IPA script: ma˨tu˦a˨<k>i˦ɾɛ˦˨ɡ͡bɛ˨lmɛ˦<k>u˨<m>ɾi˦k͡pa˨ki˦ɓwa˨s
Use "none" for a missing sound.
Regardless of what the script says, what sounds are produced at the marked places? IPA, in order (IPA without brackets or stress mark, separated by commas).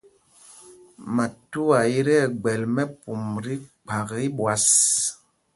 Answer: none, p, m